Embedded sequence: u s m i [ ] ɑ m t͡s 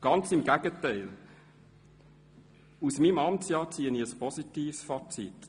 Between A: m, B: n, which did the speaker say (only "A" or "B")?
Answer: A